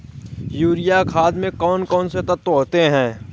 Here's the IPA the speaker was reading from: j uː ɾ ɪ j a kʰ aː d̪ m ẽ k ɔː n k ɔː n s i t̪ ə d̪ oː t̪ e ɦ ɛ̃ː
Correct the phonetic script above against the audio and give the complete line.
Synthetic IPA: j uː ɾ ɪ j a kʰ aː d̪ m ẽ k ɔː n k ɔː n s e t̪ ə t̪ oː t̪ e ɦ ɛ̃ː